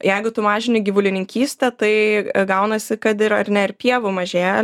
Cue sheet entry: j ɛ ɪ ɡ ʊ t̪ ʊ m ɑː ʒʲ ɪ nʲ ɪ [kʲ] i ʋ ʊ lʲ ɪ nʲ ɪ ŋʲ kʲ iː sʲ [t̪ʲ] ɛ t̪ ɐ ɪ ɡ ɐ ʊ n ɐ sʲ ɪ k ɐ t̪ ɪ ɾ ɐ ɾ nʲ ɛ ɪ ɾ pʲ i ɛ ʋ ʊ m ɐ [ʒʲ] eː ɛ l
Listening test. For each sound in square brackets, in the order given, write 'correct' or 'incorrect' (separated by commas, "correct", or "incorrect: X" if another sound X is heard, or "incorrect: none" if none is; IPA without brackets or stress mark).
incorrect: ɡʲ, correct, correct